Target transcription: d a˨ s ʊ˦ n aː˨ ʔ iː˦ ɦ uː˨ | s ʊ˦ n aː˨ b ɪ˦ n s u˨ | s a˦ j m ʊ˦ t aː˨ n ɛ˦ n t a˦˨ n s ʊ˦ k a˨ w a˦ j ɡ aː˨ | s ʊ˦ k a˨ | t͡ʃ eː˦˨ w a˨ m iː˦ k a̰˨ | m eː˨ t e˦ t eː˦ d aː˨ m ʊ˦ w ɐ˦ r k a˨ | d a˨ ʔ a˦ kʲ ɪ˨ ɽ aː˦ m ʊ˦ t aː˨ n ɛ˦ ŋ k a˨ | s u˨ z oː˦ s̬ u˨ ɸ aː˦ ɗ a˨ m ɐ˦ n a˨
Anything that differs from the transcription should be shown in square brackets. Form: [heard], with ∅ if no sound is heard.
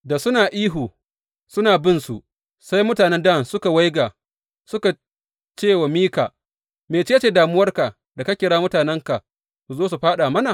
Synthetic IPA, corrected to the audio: d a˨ s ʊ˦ n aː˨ ʔ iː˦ ɦ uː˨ | s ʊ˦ n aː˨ b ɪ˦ n s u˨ | s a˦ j m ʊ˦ t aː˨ n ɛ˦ n [d] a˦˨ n s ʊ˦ k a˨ w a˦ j ɡ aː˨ | s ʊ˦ k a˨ | t͡ʃ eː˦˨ w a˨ m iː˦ k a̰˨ | m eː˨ [t͡ʃ] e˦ [t͡ʃ] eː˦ d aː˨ m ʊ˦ w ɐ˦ r k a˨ | d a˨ [k] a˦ kʲ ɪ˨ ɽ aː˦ m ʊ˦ t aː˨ n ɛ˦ ŋ k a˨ | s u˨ z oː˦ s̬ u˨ ɸ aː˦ ɗ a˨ m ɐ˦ n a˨

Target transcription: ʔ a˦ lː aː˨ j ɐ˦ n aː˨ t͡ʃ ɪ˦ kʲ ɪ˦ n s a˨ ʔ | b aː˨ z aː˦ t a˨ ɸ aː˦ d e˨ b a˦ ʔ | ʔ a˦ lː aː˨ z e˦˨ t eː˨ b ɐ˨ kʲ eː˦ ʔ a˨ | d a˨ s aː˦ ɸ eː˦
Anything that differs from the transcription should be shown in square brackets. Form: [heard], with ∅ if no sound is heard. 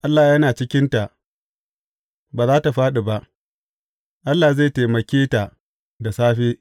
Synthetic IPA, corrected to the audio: ʔ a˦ lː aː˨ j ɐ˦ n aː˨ t͡ʃ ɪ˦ kʲ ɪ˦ n [t] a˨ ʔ | b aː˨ z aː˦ t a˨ ɸ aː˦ [ɗ] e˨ b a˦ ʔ | ʔ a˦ lː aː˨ z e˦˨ t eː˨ [m] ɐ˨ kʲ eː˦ [t] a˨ | d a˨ s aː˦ ɸ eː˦

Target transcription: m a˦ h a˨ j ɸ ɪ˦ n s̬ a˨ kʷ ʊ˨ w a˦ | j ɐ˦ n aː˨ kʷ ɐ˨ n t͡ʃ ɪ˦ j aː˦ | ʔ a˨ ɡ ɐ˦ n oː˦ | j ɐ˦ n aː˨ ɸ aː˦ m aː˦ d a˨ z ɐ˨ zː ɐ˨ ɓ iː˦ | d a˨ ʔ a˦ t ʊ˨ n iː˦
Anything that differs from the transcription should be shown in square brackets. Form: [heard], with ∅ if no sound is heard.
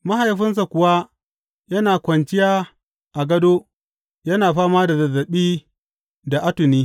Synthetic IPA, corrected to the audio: m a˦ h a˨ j ɸ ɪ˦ n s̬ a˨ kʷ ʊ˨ w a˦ | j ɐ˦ n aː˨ kʷ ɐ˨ n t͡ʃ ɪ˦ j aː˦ | ʔ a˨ ɡ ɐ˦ [d] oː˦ | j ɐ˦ n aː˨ ɸ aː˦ m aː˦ d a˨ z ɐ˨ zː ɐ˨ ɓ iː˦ | d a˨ ʔ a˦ t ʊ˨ n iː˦

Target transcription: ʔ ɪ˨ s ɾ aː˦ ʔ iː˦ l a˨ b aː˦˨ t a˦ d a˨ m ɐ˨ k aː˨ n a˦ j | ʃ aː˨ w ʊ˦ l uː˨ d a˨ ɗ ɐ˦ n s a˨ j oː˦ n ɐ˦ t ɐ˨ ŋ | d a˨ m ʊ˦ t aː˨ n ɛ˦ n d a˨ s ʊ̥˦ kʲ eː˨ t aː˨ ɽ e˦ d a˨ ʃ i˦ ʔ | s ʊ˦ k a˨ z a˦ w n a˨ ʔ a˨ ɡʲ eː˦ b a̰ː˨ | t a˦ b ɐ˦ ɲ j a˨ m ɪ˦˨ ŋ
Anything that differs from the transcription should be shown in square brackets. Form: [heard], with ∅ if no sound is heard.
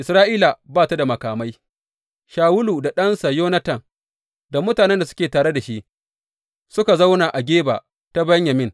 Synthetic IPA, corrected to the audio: ʔ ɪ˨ s ɾ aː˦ ʔ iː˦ l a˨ b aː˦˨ t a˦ d a˨ m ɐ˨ k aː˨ [m] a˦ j | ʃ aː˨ w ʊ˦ l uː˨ d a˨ ɗ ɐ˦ n s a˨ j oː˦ n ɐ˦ t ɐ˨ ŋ | d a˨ m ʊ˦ t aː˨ n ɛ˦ n d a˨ s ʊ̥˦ kʲ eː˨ t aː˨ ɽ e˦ d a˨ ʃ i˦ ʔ | s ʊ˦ k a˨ z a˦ w n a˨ ʔ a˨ ɡʲ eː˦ b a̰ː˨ | t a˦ b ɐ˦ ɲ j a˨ m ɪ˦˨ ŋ

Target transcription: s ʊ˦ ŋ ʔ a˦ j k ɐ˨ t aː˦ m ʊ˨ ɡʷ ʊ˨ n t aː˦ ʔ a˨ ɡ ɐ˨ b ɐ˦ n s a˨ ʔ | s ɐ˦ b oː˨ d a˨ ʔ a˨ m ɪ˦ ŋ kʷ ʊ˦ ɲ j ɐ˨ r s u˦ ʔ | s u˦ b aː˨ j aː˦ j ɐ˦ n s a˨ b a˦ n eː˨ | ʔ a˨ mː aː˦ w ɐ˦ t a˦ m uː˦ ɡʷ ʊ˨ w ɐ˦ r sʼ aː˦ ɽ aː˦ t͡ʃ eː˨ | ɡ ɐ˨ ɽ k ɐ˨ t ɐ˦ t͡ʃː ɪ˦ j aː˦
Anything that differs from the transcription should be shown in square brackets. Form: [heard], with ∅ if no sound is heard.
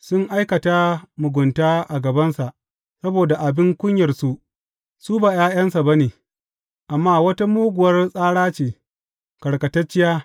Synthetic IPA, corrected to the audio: s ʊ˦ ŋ ʔ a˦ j k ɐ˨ t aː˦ m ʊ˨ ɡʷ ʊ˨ n t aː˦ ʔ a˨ ɡ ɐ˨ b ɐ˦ n s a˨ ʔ | s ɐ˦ b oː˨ d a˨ ʔ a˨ [b] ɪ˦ ŋ kʷ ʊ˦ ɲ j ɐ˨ r s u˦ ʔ | s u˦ b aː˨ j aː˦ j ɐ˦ n s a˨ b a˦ n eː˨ | ʔ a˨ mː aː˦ w ɐ˦ t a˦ m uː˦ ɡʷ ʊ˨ w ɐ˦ r sʼ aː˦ ɽ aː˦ t͡ʃ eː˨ | [k] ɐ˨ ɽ k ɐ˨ t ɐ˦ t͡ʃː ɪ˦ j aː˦

